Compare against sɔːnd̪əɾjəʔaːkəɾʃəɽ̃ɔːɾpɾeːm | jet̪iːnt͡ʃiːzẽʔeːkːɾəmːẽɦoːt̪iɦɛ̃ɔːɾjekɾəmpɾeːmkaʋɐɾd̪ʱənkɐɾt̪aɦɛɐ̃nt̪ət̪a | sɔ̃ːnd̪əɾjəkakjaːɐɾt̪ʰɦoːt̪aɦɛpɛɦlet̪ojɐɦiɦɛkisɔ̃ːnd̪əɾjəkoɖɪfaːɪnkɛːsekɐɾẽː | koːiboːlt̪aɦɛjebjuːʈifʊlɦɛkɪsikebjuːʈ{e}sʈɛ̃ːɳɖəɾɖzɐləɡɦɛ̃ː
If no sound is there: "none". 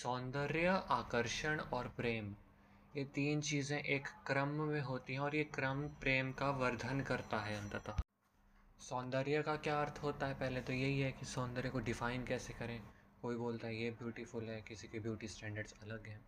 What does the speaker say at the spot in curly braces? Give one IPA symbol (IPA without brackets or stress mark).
i